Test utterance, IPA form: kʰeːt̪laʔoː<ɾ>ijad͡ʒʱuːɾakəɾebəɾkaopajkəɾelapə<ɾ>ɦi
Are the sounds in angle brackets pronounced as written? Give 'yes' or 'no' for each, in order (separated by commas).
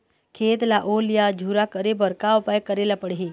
no, no